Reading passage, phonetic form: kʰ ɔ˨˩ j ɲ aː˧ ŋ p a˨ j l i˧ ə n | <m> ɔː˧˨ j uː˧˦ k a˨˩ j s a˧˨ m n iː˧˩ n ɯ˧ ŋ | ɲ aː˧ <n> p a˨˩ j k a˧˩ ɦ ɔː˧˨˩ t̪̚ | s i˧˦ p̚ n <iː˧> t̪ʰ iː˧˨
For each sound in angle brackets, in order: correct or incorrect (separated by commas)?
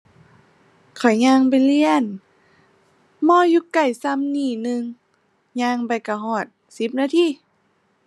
correct, incorrect, incorrect